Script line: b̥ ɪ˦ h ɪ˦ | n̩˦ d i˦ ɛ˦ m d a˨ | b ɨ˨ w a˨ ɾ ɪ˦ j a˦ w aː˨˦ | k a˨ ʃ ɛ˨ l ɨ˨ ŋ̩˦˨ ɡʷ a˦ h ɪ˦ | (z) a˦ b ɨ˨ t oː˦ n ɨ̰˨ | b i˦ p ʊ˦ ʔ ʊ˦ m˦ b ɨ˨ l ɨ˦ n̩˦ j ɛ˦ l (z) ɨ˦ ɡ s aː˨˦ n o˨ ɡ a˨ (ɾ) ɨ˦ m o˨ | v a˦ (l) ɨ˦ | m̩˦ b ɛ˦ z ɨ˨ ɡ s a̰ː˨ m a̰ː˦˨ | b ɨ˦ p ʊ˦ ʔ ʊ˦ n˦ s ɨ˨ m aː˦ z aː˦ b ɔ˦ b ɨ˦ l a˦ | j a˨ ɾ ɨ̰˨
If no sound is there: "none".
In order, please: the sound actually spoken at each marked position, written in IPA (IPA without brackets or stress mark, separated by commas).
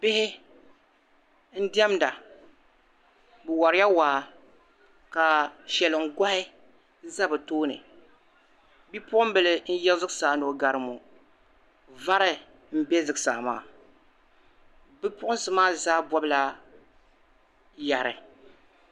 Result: z, z, ɾ, ɾ